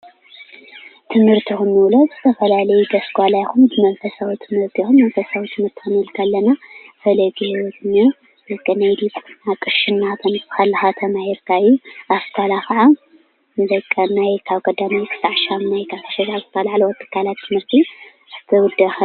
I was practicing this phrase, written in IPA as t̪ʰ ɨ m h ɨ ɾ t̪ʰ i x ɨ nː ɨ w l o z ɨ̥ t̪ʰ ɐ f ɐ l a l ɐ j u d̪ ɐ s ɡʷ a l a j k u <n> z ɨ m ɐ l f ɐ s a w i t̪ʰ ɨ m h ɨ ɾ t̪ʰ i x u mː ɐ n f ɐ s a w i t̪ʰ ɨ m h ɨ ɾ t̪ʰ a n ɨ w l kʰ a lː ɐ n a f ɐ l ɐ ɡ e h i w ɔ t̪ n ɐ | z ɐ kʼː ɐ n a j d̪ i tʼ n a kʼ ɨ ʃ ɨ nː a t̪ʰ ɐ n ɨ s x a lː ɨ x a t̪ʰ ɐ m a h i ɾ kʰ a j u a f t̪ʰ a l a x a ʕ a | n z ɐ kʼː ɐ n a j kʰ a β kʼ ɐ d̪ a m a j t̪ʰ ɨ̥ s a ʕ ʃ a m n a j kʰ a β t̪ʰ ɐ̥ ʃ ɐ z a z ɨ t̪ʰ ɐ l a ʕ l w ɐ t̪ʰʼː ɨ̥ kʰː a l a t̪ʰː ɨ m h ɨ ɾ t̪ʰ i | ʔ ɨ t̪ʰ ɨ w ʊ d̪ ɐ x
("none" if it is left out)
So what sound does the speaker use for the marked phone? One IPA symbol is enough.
m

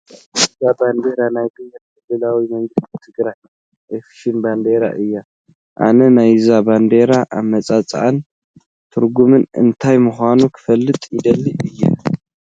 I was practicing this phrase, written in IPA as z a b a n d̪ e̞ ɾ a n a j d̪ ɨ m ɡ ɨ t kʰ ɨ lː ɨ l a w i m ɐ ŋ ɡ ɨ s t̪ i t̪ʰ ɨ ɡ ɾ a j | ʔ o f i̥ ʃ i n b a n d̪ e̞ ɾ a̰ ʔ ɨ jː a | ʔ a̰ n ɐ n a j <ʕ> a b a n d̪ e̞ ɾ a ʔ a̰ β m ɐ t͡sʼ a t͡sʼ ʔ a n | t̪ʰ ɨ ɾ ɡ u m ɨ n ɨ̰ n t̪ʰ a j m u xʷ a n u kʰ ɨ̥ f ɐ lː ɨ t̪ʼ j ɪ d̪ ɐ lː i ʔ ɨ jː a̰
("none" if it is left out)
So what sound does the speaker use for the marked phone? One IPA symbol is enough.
z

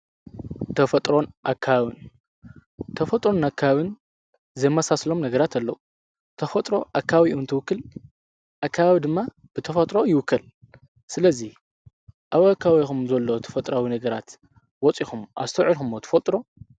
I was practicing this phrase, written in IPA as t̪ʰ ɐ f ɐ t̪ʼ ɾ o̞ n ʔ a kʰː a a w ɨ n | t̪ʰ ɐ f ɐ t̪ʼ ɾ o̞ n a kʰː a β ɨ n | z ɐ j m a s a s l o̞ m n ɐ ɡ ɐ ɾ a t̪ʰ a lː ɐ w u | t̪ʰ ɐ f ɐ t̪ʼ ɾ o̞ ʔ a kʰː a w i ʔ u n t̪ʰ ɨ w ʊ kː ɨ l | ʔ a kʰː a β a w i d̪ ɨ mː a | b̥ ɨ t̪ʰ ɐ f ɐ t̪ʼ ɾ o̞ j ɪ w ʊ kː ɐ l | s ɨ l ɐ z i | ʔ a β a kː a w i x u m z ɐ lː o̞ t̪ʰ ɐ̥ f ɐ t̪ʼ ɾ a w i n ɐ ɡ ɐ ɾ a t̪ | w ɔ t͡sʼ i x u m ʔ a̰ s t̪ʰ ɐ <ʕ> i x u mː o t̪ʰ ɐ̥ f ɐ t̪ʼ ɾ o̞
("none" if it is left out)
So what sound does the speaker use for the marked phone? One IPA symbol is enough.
ʕ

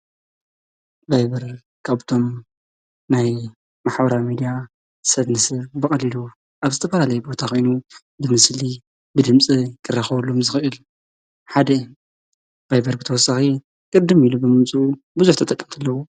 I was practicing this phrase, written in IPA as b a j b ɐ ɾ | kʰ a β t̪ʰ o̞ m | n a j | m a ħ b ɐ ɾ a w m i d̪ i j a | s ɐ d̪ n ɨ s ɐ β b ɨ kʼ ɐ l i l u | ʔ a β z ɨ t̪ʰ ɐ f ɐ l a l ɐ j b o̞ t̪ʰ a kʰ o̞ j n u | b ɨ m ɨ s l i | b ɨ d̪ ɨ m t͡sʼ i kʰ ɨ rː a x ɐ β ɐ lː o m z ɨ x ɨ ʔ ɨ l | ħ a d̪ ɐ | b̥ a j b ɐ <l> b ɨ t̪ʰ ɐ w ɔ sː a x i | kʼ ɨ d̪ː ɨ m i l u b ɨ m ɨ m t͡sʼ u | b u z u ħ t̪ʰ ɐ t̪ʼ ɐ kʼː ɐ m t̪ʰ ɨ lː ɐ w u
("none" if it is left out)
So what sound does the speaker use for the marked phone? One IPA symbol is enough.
ɾ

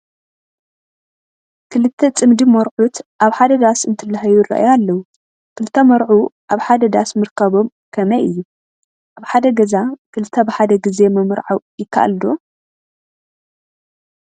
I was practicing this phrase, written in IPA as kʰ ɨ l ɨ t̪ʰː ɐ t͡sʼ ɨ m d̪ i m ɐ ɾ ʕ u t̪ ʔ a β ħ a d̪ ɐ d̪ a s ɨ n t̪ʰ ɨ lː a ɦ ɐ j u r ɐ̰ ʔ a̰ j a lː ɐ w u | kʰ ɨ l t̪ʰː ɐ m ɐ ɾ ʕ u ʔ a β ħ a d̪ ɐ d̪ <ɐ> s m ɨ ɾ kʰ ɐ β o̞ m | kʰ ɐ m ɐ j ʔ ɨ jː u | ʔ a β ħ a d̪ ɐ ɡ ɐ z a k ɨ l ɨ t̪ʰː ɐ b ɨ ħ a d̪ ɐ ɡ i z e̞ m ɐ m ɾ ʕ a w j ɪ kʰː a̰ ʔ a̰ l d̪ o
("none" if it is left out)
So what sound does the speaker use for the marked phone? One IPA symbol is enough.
a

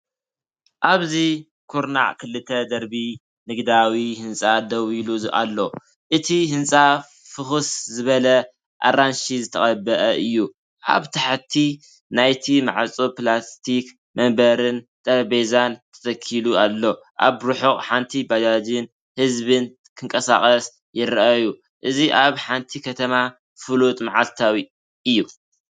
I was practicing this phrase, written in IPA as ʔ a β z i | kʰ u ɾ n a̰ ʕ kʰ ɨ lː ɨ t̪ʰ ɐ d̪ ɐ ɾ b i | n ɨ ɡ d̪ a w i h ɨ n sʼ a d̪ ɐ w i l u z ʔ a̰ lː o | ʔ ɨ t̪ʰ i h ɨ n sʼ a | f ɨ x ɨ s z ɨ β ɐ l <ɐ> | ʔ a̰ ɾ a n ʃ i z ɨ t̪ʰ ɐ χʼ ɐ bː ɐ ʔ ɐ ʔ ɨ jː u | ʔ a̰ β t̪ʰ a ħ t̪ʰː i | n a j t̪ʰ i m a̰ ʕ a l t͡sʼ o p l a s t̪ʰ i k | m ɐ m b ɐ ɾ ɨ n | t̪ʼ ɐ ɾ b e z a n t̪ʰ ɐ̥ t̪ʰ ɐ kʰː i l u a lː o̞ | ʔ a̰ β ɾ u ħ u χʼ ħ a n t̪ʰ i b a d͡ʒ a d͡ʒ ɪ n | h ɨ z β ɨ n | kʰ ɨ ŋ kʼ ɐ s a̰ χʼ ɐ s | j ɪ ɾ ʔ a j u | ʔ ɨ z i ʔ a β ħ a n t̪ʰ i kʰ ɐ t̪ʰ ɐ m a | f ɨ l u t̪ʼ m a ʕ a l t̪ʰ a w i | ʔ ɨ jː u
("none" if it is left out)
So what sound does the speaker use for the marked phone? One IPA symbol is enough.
ɐ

